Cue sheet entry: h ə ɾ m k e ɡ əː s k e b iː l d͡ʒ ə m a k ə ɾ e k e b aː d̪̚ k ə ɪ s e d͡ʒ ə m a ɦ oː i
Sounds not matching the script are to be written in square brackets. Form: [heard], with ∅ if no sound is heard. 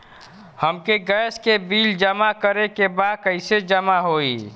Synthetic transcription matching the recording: h ə [∅] m k e ɡ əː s k e b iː l d͡ʒ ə m a k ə ɾ e k e b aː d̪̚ k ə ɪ s e d͡ʒ ə m a ɦ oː i

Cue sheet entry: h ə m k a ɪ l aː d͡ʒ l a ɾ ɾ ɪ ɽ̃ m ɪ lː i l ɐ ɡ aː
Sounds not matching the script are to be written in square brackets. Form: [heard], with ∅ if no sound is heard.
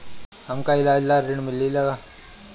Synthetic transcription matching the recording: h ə m k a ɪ l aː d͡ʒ l a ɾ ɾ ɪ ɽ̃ m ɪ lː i l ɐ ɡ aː

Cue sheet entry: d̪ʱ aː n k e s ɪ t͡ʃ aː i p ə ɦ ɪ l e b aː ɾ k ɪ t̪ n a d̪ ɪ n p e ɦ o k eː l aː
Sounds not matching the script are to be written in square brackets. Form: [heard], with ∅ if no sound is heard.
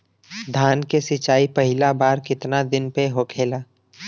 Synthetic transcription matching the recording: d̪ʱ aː n k e s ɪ t͡ʃ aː i p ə ɦ ɪ l [a] b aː ɾ k ɪ t̪ n a d̪ ɪ n p e ɦ o [kʰ] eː l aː

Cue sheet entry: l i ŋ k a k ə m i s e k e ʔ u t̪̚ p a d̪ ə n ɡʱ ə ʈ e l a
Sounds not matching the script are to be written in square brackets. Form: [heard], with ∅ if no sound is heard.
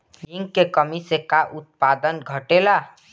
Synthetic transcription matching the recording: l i ŋ k [e] k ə m i s e k [a] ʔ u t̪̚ p a d̪ ə n ɡʱ ə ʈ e l a

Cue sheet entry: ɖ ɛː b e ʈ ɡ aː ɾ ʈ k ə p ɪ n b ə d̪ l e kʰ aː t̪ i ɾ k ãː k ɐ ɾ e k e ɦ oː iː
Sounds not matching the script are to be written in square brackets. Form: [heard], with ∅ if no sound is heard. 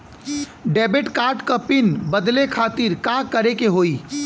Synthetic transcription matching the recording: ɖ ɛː b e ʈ [k] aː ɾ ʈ k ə p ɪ n b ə d̪ l e kʰ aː t̪ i ɾ k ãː k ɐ ɾ e k e ɦ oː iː

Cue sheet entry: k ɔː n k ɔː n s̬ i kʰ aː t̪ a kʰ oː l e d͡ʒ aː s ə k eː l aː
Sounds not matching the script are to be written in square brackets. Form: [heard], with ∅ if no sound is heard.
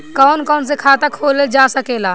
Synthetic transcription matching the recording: k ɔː n k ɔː n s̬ [e] kʰ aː t̪ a kʰ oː l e d͡ʒ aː s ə k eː l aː

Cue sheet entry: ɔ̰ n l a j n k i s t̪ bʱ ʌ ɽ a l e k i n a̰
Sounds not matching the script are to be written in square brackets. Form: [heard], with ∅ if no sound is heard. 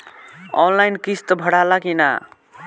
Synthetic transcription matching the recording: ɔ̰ n l a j n k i s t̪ bʱ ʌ ɽ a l [a] k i n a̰

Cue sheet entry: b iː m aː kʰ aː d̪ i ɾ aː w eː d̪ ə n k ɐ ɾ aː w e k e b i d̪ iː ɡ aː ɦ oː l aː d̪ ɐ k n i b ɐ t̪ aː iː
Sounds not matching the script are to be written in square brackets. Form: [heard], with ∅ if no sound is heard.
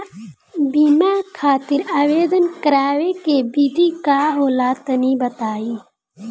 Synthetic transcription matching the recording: b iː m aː kʰ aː [t̪] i ɾ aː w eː d̪ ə n k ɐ ɾ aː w e k e b i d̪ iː [k] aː ɦ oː l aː [t̪] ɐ [∅] n i b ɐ t̪ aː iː

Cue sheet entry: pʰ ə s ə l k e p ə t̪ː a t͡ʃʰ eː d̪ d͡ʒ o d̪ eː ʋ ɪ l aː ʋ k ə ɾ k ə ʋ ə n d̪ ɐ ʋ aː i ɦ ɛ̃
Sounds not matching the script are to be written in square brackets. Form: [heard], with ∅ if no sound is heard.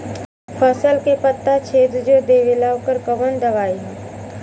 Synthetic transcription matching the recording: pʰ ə s ə l k e p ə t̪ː a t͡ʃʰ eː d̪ d͡ʒ o d̪ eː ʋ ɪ l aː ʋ k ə ɾ k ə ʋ ə n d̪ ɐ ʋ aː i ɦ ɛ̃

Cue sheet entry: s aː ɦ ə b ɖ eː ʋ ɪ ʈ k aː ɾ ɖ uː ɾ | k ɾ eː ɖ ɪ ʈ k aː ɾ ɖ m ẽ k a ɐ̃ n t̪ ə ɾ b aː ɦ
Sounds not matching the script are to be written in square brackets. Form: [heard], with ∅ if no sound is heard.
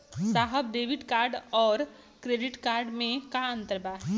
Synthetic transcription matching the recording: s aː ɦ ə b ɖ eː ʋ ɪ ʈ k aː ɾ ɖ [ɔː] ɾ | k ɾ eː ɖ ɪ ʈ k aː ɾ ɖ m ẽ k a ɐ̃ n t̪ ə ɾ b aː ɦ

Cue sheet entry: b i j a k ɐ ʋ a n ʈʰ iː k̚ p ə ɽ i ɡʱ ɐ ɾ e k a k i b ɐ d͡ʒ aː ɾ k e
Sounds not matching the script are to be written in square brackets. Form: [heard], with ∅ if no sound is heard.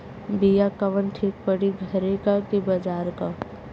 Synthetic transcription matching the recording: b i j a k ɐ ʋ [ə] n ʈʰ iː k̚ p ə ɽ i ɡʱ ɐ ɾ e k a k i b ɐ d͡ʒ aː ɾ k [a]

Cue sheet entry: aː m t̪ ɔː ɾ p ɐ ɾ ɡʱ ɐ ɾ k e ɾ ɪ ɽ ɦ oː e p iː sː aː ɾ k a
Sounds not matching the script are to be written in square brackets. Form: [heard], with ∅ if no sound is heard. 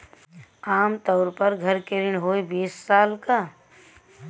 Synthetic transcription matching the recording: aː m t̪ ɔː ɾ p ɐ ɾ ɡʱ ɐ ɾ k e ɾ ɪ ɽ ɦ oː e [b] iː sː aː [l] k a

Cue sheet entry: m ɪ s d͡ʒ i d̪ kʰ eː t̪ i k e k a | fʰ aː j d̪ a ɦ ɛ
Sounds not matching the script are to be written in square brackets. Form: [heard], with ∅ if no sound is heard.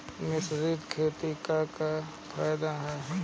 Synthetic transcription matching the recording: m ɪ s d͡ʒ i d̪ kʰ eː t̪ i k [a] k a | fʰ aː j d̪ a ɦ ɛ

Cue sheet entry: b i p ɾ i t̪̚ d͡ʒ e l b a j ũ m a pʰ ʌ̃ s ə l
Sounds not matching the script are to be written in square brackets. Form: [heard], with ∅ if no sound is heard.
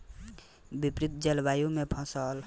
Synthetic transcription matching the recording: b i p ɾ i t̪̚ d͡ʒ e l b a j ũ m [e] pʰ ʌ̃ s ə l

